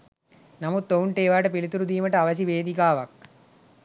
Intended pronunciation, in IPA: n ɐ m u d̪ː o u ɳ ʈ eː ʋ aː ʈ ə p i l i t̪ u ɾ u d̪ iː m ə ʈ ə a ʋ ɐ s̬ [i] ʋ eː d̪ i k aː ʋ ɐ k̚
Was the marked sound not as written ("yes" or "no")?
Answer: no